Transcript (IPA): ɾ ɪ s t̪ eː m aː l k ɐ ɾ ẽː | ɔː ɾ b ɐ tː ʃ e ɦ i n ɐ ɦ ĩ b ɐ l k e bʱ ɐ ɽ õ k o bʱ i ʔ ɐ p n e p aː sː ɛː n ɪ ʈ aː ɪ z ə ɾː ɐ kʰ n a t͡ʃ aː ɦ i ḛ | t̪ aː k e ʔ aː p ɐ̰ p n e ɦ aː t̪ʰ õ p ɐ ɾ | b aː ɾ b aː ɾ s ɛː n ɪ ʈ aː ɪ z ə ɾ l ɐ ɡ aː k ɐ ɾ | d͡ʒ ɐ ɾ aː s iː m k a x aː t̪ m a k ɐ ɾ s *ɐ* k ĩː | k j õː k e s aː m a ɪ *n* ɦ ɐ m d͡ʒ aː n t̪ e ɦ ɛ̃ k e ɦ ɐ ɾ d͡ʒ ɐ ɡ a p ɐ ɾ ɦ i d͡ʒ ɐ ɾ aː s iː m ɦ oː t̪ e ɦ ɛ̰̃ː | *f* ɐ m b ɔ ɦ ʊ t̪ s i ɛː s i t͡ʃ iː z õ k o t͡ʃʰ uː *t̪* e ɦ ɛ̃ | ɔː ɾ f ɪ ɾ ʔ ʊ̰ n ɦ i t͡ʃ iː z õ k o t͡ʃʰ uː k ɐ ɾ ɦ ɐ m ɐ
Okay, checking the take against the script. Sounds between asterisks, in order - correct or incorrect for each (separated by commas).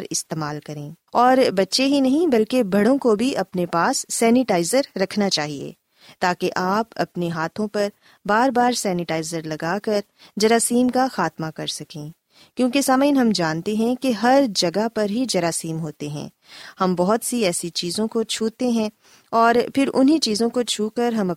correct, correct, incorrect, correct